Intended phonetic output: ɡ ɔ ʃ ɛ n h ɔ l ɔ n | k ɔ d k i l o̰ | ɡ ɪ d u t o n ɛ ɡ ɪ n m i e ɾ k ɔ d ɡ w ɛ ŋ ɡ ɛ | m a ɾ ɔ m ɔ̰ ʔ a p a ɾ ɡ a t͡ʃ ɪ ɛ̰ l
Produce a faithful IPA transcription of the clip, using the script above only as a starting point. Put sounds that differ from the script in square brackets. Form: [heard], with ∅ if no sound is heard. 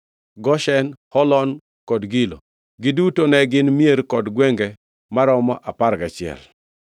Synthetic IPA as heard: ɡ ɔ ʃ ɛ n h ɔ l ɔ n | k ɔ d [ɡ] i l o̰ | ɡ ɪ d u t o n ɛ ɡ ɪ n m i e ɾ k ɔ d ɡ w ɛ ŋ ɡ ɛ | m a ɾ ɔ m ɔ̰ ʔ a p a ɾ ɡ a t͡ʃ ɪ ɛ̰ l

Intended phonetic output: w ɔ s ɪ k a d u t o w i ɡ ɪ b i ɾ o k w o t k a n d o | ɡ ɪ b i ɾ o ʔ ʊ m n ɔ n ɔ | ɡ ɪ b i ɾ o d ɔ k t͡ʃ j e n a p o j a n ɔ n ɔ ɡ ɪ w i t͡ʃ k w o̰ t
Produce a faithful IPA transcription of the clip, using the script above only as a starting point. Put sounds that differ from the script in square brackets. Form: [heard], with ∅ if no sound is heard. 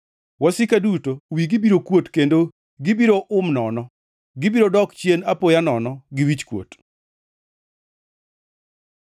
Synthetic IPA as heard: w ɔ s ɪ k a d u t o w i ɡ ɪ b i ɾ o k w o t k [e] n d o | ɡ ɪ b i ɾ o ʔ ʊ m n ɔ n ɔ | ɡ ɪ b i ɾ o d ɔ k t͡ʃ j e n a p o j a n ɔ n ɔ ɡ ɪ w i t͡ʃ k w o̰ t

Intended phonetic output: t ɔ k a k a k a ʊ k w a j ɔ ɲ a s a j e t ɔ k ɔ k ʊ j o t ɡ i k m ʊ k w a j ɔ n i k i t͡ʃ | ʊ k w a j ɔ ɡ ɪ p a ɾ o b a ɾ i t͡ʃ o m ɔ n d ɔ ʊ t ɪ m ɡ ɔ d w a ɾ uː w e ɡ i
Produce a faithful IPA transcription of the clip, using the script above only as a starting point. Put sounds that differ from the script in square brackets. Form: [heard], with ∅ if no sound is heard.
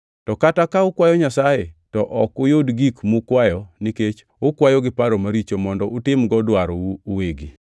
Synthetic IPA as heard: t ɔ k a [t] a k a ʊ k w a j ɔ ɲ a s a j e t ɔ [ʔ] ɔ k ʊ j o [d] ɡ i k m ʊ k w a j ɔ n i k [e] t͡ʃ | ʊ k w a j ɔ ɡ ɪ p a ɾ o [m] a ɾ i t͡ʃ o m ɔ n d ɔ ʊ t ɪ m ɡ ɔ d w a ɾ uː w e ɡ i

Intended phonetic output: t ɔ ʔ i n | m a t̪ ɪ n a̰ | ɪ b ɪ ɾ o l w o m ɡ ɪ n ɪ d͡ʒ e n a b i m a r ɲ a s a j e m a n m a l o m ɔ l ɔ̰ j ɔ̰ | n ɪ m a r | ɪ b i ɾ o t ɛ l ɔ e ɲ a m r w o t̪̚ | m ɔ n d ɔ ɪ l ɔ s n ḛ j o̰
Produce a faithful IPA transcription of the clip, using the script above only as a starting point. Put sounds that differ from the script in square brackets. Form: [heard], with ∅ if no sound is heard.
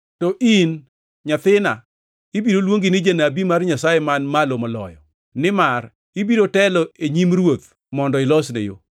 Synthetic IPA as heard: t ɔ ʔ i n | [ɲ] a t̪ ɪ n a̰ | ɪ b [i] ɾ o l w o [ŋ] ɡ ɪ n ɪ d͡ʒ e n a b i m a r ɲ a s a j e m a n m a l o m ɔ l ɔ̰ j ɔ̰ | n ɪ m a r | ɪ b i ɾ o t ɛ l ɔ e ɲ [i] m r w o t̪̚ | m ɔ n d ɔ ɪ l ɔ s n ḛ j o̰

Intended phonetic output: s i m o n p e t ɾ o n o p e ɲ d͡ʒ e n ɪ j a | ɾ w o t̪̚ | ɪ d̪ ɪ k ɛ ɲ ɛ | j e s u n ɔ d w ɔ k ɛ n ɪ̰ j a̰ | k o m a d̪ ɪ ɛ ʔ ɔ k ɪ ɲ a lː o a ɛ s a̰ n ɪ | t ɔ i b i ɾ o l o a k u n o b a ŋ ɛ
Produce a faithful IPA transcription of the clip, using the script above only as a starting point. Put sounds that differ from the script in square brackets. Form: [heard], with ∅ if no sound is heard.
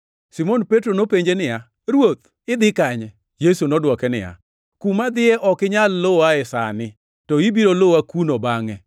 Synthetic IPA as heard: s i m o n p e t ɾ o n o p e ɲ d͡ʒ e n ɪ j a | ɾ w o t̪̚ | ɪ d̪ ɪ k [a] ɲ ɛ | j e s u n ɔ d w ɔ k ɛ n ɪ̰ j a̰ | k [u] m a d̪ ɪ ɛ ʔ ɔ k ɪ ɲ a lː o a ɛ s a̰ n ɪ | t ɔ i b i ɾ o l o a k u n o b a ŋ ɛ

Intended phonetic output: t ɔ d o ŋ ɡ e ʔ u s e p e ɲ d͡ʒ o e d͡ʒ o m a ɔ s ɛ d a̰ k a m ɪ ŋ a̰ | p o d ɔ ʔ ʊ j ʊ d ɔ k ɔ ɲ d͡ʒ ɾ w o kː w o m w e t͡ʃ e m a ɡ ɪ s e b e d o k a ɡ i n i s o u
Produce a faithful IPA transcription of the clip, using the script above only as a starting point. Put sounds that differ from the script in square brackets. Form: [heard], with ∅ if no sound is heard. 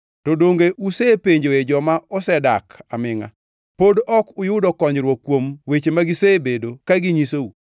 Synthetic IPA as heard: t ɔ d o ŋ ɡ e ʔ u s e p e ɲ d͡ʒ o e d͡ʒ [ɔ] m a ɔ s ɛ d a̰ k a m ɪ ŋ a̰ | p o d ɔ [k] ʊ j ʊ d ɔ k ɔ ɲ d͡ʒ ɾ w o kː w o m w e t͡ʃ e m a ɡ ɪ s e b e d o k a ɡ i [ɲ] i s o u

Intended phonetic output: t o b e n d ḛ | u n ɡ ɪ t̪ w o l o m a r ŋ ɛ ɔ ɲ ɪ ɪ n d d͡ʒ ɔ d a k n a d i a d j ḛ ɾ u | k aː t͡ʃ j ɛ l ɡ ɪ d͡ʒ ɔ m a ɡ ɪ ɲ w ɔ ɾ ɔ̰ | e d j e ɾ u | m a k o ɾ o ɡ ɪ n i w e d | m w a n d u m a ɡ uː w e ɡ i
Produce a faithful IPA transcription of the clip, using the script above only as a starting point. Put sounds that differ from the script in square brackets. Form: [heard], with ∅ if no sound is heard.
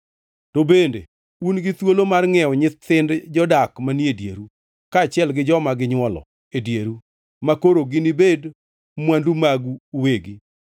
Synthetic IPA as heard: t o b e n d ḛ | u n ɡ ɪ t̪ w o l o m a r ŋ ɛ ɔ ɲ ɪ ɪ n d d͡ʒ ɔ d a k [m] a [n] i [e] d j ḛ ɾ u | k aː t͡ʃ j ɛ l ɡ ɪ d͡ʒ ɔ m a ɡ ɪ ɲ w ɔ [l] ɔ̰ | e d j e ɾ u | m a k o ɾ o ɡ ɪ n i [b] e d | m w a n d u m a ɡ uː w e ɡ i

